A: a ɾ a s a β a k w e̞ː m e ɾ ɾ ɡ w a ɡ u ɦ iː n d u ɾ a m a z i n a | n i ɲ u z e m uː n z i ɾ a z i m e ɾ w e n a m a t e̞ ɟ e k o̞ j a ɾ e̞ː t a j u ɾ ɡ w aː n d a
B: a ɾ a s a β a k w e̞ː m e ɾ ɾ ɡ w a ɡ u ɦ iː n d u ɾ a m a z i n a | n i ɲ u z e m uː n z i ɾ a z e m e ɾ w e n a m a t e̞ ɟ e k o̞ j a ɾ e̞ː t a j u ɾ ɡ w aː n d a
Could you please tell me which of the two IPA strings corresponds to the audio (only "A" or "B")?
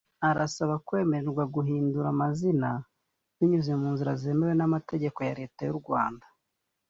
B